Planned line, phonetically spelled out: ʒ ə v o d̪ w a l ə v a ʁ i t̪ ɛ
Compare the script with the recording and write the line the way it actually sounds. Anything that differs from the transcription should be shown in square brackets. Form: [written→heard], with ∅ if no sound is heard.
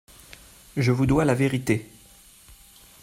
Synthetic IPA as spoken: ʒ ə v [o→u] d̪ w a l [ə→a] v [a→e] ʁ i t̪ [ɛ→e]